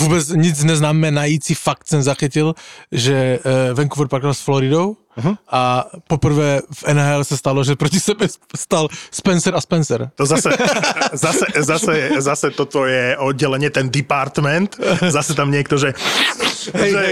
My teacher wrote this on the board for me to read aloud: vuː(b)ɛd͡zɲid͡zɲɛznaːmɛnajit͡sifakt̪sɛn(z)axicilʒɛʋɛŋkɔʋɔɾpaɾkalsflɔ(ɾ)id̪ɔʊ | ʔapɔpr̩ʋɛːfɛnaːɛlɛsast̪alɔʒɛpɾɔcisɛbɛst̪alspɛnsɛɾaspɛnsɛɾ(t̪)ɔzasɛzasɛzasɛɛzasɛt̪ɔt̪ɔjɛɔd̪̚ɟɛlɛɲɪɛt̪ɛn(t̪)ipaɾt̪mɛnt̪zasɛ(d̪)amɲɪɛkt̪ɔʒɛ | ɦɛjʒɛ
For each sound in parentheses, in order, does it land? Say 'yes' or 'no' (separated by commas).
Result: yes, yes, yes, yes, no, no